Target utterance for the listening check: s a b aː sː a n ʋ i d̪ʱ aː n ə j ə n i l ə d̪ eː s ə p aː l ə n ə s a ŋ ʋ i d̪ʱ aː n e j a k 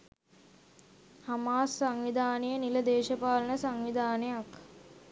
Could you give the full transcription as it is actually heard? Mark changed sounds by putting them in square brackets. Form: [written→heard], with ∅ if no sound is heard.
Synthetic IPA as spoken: [s→h] a [b→m] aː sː a [n→ŋ] ʋ i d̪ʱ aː n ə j ə n i l ə d̪ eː [s→ʃ] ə p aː l ə n ə s a ŋ ʋ i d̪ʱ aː n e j a k